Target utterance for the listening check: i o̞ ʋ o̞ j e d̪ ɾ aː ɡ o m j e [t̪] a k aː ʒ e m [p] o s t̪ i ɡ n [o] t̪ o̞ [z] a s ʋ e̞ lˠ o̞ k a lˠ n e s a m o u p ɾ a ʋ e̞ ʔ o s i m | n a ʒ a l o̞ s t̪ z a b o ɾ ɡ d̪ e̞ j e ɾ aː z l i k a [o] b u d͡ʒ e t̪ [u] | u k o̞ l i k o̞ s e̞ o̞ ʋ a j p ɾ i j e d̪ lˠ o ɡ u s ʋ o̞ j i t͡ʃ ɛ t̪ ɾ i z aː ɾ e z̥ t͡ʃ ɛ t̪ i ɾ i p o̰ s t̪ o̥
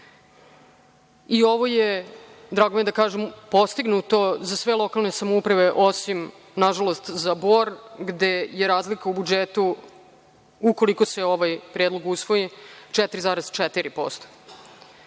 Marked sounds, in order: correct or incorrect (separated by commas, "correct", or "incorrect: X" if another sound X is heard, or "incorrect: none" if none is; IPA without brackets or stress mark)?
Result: incorrect: d̪, correct, incorrect: u, correct, incorrect: u, correct